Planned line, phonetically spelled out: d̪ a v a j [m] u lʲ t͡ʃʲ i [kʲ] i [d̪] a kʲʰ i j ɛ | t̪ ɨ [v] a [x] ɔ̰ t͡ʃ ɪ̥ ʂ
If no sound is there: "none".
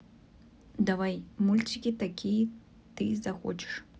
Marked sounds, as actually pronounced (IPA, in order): m, kʲ, t̪, z, x

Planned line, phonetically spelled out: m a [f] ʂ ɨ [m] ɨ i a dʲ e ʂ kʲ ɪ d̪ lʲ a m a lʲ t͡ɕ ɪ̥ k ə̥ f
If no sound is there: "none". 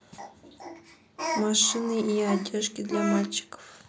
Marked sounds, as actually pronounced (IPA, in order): none, n

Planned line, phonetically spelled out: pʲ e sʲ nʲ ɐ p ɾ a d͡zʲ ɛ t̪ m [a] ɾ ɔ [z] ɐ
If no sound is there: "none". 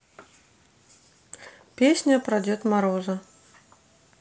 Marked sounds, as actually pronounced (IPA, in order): a, z

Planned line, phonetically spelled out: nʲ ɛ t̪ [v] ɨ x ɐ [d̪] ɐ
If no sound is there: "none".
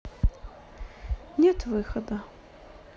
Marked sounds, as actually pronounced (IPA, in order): v, d̪

